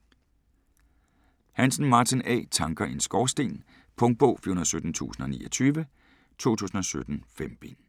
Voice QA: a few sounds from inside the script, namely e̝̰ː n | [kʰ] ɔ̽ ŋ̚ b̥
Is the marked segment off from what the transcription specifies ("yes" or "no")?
yes